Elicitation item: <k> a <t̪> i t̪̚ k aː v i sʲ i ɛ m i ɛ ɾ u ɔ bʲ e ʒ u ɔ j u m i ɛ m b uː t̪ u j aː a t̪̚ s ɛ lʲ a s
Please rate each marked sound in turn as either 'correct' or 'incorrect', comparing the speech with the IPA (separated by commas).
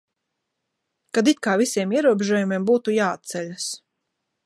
correct, incorrect